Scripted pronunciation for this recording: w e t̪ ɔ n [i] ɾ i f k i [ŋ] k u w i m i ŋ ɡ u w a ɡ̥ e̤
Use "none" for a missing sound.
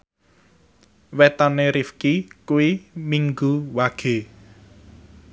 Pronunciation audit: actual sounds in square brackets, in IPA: e, none

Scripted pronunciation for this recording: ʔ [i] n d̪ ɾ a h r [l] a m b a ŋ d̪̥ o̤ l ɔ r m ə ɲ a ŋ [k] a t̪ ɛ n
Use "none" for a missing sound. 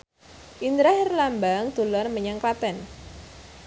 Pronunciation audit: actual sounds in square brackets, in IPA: i, l, k

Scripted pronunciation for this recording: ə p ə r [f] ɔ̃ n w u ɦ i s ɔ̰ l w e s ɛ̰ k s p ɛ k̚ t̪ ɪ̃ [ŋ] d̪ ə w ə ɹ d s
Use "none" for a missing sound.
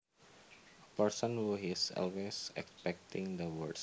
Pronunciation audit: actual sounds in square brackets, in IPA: s, ŋ

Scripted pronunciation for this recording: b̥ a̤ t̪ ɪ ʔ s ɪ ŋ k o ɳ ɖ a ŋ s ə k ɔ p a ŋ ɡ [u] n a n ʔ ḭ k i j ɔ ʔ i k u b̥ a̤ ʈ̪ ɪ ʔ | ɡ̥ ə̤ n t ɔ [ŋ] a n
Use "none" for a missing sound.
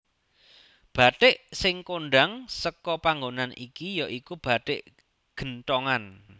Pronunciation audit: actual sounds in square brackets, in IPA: o, ŋ

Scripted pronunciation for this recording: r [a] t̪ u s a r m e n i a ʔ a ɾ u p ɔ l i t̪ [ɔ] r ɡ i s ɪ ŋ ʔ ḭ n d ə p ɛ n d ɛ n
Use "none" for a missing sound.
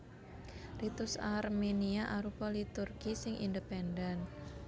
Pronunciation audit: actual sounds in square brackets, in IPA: i, u

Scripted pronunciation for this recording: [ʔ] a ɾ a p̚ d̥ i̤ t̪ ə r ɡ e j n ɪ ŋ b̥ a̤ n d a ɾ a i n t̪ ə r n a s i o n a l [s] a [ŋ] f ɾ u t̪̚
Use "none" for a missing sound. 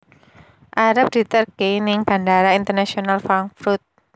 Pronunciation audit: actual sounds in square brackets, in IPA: ʔ, f, ŋ

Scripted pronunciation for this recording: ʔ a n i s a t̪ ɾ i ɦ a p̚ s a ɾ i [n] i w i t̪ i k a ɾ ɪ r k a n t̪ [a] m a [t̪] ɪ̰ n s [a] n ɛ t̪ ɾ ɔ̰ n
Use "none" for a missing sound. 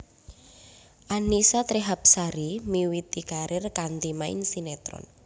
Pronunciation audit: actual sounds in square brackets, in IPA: m, i, none, i

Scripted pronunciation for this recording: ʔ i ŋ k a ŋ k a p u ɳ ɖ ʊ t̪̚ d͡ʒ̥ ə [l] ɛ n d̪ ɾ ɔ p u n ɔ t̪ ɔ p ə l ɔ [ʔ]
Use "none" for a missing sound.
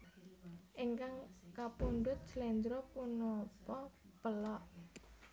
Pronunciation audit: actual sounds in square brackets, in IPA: l, ʔ

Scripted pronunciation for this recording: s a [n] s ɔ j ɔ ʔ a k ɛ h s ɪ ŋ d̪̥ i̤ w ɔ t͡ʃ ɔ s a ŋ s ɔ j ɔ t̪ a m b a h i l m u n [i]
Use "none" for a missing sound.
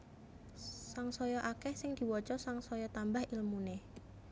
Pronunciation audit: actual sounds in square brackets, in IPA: ŋ, e

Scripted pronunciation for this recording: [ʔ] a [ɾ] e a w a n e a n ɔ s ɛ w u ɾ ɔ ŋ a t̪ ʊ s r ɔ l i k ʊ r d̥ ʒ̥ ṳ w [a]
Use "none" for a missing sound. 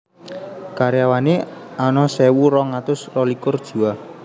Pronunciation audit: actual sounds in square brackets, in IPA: k, ɾ, a

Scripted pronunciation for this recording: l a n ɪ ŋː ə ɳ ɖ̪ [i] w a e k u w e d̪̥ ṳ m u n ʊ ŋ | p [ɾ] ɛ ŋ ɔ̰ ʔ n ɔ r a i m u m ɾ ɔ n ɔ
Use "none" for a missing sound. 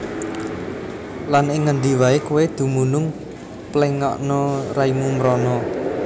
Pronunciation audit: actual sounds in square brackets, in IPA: i, l

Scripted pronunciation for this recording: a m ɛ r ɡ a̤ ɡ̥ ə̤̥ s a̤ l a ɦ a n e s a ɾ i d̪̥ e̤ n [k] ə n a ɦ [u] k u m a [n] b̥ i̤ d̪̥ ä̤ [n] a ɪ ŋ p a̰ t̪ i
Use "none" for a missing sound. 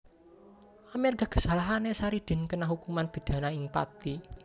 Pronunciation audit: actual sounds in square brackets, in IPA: k, u, n, n

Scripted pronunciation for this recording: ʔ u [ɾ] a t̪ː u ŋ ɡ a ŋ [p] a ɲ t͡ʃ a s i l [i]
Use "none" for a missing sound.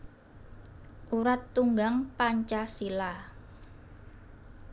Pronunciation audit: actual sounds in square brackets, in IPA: ɾ, p, a

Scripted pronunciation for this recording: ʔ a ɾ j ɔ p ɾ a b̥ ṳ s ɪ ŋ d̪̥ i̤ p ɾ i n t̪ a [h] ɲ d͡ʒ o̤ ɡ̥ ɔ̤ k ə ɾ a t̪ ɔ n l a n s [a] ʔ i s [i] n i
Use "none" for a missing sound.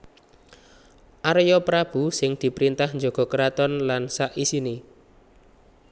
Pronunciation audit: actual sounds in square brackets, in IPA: h, a, i

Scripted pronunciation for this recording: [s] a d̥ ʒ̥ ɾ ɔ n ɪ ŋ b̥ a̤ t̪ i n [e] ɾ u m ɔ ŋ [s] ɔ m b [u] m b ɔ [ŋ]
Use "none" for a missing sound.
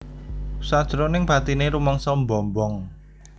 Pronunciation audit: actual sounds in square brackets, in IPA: s, e, s, ɔ, ŋ

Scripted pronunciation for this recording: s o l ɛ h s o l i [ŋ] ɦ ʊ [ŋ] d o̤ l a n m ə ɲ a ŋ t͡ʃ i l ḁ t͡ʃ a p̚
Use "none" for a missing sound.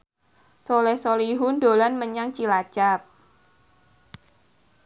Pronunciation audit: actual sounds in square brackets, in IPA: none, n

